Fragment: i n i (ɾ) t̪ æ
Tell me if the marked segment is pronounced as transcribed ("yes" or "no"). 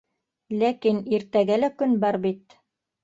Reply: yes